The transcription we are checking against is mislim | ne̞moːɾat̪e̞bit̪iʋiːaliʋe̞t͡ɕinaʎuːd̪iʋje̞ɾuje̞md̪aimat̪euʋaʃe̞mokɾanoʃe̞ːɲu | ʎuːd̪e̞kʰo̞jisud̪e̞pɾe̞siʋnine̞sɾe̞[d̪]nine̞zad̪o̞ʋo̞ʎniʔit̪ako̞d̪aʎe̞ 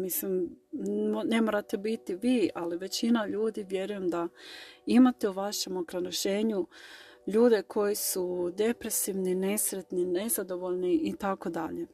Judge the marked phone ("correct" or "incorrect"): incorrect